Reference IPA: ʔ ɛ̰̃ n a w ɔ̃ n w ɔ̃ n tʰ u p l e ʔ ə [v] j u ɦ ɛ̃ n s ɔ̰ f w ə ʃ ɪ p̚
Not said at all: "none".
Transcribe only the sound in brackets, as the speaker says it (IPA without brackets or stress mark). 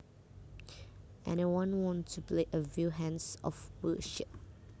v